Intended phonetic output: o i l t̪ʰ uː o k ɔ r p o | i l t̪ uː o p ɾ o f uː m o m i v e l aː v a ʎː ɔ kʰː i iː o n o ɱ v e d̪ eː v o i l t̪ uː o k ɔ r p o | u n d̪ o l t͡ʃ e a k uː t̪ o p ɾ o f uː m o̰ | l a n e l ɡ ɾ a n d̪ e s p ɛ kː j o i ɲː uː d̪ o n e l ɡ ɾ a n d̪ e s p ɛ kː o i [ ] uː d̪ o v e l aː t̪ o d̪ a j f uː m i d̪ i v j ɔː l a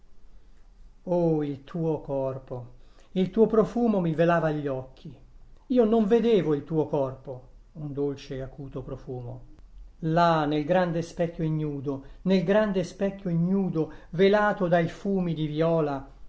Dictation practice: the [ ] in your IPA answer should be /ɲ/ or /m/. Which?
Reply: ɲ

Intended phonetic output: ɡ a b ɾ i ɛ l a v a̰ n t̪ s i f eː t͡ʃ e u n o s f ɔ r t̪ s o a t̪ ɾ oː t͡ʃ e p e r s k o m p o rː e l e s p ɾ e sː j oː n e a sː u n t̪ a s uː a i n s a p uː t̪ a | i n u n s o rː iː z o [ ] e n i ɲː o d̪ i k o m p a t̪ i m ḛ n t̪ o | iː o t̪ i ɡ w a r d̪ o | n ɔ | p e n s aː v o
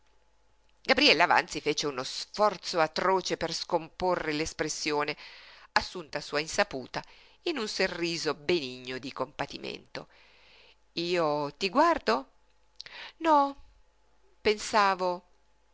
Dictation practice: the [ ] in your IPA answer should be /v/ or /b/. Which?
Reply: b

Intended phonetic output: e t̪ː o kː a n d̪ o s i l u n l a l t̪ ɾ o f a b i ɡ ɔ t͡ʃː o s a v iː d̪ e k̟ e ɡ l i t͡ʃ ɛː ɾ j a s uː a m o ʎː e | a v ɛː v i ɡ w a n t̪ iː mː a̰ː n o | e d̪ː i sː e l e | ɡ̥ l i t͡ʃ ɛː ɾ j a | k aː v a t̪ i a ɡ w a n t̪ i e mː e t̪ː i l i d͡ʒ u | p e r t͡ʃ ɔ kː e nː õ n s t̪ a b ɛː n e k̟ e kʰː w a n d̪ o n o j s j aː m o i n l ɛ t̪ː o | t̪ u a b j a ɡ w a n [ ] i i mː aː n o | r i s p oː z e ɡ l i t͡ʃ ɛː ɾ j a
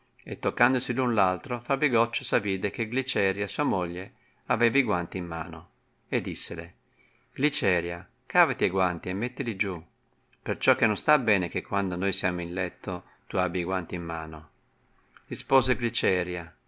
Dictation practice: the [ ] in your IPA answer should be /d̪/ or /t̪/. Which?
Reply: t̪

